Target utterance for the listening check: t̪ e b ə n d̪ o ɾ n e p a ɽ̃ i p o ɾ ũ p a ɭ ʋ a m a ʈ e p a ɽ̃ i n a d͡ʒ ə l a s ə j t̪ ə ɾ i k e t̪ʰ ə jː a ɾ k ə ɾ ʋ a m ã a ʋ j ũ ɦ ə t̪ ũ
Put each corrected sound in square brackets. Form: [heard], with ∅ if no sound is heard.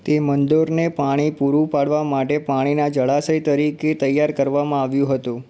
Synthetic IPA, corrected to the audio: t̪ e [m] ə n d̪ o ɾ n e p a ɽ̃ i p [u] ɾ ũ p a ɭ ʋ a m a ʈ e p a ɽ̃ i n a d͡ʒ ə [ɭ] a s ə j t̪ ə ɾ i k e [t̪] ə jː a ɾ k ə ɾ ʋ a m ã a ʋ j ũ ɦ ə t̪ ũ